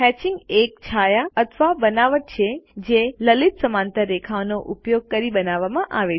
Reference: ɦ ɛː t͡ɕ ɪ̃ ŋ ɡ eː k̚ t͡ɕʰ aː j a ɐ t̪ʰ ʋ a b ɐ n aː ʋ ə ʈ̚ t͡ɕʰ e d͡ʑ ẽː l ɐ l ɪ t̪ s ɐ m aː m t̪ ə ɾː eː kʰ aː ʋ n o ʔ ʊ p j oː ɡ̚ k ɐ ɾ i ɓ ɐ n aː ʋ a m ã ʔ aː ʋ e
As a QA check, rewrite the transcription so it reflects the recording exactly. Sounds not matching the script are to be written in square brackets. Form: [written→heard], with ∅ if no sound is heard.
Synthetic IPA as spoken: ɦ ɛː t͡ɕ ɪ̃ ŋ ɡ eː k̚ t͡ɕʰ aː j a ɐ t̪ʰ ʋ a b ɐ n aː ʋ ə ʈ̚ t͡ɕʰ e d͡ʑ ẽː l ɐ l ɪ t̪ s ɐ m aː [m→n] t̪ ə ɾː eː kʰ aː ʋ n o ʔ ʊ p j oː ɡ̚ k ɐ ɾ i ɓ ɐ n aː ʋ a m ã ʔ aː ʋ e

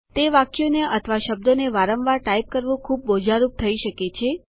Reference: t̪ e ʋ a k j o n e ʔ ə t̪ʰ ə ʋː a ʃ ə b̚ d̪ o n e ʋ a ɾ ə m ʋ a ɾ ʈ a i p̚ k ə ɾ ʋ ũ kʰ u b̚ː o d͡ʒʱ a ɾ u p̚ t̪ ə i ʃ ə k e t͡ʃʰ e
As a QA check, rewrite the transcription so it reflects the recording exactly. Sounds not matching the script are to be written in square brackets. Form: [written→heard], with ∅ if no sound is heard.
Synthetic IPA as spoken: t̪ e ʋ a k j o n e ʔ ə t̪ʰ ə [ʋː→ʋ] a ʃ ə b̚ d̪ o n e ʋ a ɾ ə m ʋ a ɾ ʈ a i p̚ k ə ɾ ʋ ũ kʰ u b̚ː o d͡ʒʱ a ɾ u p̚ [t̪→t̪ʰ] ə i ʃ ə k e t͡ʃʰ e

